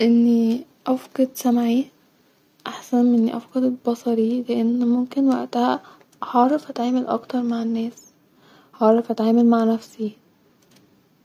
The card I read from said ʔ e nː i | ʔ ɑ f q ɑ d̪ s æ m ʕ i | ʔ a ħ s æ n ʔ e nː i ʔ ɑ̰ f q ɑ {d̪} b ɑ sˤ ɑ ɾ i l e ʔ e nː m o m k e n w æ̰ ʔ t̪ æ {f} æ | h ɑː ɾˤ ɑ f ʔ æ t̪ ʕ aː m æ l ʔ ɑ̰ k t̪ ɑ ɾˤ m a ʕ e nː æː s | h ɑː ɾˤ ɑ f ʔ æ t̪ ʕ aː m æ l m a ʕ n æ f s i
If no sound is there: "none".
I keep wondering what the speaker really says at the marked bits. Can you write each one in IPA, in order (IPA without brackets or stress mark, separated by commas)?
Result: d̪, h